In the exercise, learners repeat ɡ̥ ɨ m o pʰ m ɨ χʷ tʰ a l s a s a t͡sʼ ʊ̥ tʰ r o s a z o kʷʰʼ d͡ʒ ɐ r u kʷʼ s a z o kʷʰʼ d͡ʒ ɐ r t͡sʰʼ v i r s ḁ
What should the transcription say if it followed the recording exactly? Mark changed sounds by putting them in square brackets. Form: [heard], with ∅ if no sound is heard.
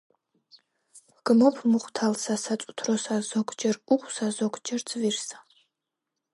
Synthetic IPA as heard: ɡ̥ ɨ m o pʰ m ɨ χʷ tʰ a l s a s a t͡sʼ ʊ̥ tʰ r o s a z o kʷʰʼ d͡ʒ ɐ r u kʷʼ s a z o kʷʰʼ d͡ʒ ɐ r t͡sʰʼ v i r s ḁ

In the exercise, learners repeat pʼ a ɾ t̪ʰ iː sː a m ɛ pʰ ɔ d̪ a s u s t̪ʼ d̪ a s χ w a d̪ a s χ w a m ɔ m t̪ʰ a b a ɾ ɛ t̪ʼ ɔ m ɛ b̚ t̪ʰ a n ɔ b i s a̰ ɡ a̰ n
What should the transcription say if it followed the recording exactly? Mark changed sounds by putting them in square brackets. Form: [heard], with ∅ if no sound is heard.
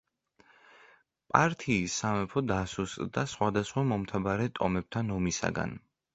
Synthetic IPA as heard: pʼ a ɾ t̪ʰ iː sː a m ɛ pʰ ɔ d̪ a s u s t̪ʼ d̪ a s χ w a d̪ a s χ w a m ɔ m t̪ʰ a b a ɾ ɛ t̪ʼ ɔ m ɛ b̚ t̪ʰ a n ɔ [m] i s a̰ ɡ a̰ n

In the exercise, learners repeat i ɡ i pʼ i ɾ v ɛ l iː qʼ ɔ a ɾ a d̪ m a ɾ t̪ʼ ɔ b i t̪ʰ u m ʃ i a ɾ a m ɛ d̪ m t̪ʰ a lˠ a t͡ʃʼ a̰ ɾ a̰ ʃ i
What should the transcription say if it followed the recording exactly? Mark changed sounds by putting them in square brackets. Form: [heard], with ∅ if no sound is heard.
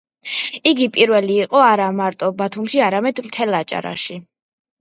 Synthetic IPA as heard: i ɡ i pʼ i ɾ v ɛ l iː qʼ ɔ a ɾ a [∅] m a ɾ t̪ʼ ɔ b [a] t̪ʰ u m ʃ i a ɾ a m ɛ d̪ m t̪ʰ [ɛ] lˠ a t͡ʃʼ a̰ ɾ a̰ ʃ i

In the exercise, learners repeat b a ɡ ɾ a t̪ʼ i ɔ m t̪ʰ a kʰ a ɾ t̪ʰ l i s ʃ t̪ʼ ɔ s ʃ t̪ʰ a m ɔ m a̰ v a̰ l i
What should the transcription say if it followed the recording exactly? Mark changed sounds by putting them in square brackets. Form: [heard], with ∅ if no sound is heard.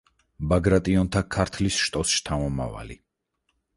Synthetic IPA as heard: b a ɡ ɾ a t̪ʼ i ɔ [n] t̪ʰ a kʰ a ɾ t̪ʰ l i s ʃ t̪ʼ ɔ s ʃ t̪ʰ a m ɔ m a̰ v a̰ l i

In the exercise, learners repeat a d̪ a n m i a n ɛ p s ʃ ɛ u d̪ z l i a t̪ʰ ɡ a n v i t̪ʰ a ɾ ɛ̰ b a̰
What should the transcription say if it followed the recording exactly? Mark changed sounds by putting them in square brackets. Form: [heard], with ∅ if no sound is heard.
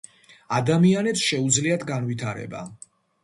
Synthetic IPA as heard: a d̪ a [∅] m i a n ɛ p s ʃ ɛ u d̪ z l i a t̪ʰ ɡ a n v i t̪ʰ a ɾ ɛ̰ b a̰

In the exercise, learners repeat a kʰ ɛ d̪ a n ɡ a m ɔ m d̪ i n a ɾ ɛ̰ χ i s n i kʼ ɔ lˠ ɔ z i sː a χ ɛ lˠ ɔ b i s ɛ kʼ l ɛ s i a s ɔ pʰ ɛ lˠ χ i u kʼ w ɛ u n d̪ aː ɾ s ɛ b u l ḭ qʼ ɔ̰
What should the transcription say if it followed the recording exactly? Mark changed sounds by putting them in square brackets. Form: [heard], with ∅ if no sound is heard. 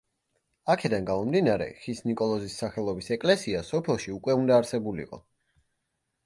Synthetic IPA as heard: a kʰ ɛ d̪ a n ɡ a m ɔ m d̪ i n a ɾ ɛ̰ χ i s n i kʼ ɔ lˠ ɔ z i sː a χ ɛ lˠ ɔ b i s ɛ kʼ l ɛ s i a s ɔ pʰ ɛ lˠ [ʃ] i u kʼ w ɛ u n d̪ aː ɾ s ɛ b u l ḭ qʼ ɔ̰

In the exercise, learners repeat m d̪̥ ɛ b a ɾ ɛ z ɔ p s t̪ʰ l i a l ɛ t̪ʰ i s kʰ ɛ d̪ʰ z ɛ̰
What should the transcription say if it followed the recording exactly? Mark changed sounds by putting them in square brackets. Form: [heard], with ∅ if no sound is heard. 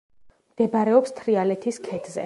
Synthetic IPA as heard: m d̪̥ ɛ b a ɾ ɛ [∅] ɔ p s t̪ʰ [ɾ] i a l ɛ t̪ʰ i s kʰ ɛ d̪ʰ z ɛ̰

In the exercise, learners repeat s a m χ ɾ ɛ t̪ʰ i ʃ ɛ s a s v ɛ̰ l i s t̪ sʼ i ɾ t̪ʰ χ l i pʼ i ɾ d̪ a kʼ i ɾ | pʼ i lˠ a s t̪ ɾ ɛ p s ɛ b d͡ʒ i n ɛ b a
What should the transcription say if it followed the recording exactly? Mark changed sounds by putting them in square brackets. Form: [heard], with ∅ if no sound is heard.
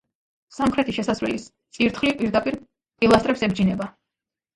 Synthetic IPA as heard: s a m χ ɾ ɛ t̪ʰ i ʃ ɛ s a s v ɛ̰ l i s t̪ sʼ i ɾ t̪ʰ χ l i pʼ i ɾ d̪ a [pʼ] i ɾ | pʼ i lˠ a s t̪ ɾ ɛ p s ɛ b d͡ʒ i n ɛ b a

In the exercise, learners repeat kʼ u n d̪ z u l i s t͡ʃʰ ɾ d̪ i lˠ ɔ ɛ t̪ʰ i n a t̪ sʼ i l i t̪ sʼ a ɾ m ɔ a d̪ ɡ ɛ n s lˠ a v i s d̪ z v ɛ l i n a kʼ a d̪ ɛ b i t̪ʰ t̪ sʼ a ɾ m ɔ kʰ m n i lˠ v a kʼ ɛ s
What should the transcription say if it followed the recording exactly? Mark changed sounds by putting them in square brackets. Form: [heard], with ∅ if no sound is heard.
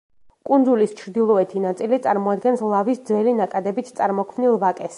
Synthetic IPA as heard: kʼ u n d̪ z u l i s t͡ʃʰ ɾ d̪ i lˠ ɔ ɛ t̪ʰ i n a t̪ sʼ i l i t̪ sʼ a ɾ m ɔ a d̪ ɡ ɛ n s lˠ a v i s d̪ z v ɛ l i n a kʼ a d̪ ɛ b i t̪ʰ t̪ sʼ a ɾ m ɔ kʰ m n i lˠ v a kʼ ɛ s

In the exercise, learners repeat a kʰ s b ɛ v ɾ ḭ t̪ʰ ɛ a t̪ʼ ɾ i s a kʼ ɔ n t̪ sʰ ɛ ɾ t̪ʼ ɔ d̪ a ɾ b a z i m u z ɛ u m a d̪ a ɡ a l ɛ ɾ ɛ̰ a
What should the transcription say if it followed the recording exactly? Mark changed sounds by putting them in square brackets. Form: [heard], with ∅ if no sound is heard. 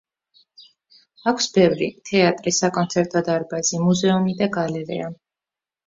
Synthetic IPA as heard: a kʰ s b ɛ v ɾ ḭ t̪ʰ ɛ a t̪ʼ ɾ i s a kʼ ɔ n t̪ sʰ ɛ ɾ t̪ʼ ɔ d̪ a ɾ b a z i m u z ɛ u m [i] d̪ a ɡ a l ɛ ɾ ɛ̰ a

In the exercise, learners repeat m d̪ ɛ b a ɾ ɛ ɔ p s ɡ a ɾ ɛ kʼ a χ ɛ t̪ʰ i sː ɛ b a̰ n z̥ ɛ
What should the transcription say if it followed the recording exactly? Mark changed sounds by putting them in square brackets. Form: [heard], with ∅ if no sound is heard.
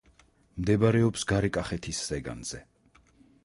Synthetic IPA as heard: m d̪ ɛ b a ɾ ɛ ɔ p s ɡ a ɾ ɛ kʼ a χ ɛ t̪ʰ i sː ɛ [ɡ] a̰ n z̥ ɛ

